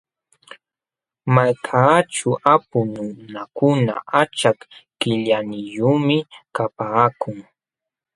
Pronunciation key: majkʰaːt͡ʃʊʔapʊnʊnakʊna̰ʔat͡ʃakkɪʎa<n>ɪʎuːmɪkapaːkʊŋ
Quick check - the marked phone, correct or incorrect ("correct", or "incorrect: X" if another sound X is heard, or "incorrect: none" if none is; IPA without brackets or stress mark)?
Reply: correct